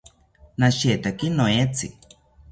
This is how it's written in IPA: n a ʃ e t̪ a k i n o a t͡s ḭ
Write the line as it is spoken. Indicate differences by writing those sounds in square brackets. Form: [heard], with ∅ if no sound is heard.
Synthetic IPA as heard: n a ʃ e t̪ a k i n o [e] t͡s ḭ